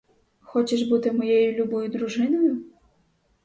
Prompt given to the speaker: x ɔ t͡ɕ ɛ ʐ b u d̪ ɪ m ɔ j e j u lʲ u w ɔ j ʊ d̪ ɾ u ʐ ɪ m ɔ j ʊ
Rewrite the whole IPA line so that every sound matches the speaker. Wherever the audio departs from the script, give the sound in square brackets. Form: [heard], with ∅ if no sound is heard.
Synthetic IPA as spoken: x ɔ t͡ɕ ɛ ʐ b u [t̪] ɪ m ɔ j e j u lʲ u [b] ɔ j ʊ d̪ ɾ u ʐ ɪ [n] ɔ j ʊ